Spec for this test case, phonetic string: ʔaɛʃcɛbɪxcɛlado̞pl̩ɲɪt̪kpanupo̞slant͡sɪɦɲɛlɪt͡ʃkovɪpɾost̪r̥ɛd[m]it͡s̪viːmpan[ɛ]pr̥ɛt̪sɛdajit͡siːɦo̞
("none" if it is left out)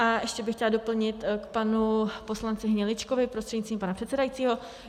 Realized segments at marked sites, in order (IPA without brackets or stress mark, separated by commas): ɲ, a